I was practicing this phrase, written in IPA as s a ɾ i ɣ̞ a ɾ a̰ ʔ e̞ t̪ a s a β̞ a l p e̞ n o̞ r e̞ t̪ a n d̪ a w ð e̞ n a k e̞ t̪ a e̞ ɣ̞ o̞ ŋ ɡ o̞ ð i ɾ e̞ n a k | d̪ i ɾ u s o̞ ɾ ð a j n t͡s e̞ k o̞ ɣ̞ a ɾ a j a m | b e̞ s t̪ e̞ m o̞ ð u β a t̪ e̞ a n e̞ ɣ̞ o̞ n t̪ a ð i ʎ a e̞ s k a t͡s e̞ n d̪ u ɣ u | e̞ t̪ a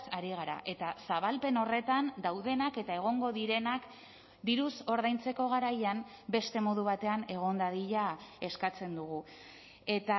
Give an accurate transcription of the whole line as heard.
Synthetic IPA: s a ɾ i ɣ̞ a ɾ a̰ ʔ e̞ t̪ a s a β̞ a l p e̞ n o̞ r e̞ t̪ a n d̪ a w ð e̞ n a k e̞ t̪ a e̞ ɣ̞ o̞ ŋ ɡ o̞ ð i ɾ e̞ n a k | d̪ i ɾ u s o̞ ɾ ð a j n t͡s e̞ k o̞ ɣ̞ a ɾ a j a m | b e̞ s t̪ e̞ m o̞ ð u β a t̪ e̞ a n e̞ ɣ̞ o̞ n d̪ a ð i ʎ a e̞ s k a t͡s e̞ n d̪ u ɣ u | e̞ t̪ a